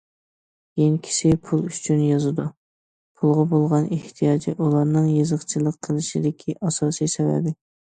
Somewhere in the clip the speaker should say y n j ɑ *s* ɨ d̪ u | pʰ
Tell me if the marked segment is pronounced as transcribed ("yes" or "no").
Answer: no